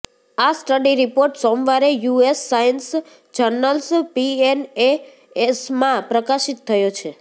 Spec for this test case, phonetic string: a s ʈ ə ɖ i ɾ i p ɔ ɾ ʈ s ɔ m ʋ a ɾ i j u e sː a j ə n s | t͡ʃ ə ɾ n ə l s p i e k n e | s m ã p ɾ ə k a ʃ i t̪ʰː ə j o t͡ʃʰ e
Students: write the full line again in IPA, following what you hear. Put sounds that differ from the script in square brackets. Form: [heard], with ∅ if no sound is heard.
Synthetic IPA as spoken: a s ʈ ə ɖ i ɾ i p [o] ɾ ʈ s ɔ m ʋ a ɾ [e] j u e sː a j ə n s | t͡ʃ ə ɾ n ə l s p i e [∅] n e | s m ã p ɾ ə k a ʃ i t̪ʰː ə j o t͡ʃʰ e